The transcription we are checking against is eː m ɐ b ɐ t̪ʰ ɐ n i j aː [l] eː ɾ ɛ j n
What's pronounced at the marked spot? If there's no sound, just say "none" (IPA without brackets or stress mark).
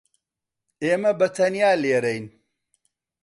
l